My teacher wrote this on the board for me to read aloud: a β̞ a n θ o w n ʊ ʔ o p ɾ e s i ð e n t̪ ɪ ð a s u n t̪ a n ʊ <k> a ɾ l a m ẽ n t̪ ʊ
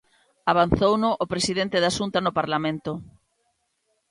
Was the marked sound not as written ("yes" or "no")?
yes